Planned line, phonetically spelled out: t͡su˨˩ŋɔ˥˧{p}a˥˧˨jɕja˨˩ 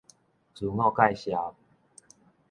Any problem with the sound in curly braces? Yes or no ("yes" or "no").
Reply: yes